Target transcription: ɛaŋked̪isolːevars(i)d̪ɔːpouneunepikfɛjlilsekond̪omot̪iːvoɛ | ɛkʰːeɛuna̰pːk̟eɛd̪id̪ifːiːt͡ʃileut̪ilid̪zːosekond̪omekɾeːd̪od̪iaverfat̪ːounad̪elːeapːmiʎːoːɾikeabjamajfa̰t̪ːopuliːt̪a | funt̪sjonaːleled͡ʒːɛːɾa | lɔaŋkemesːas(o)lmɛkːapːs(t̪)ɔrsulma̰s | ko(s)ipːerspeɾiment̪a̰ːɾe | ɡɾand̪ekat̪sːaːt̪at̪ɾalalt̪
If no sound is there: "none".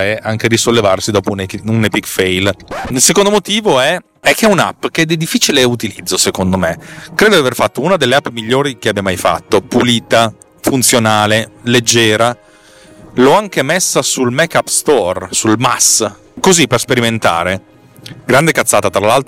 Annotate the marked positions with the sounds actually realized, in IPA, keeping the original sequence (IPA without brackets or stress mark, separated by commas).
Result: i, u, t̪, z